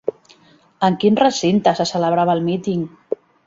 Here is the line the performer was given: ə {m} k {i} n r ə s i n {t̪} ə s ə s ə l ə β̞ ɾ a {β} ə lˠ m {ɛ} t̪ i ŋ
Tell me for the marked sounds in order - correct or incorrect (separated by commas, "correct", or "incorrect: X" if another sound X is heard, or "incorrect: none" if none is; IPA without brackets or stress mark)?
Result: incorrect: ŋ, correct, correct, correct, incorrect: i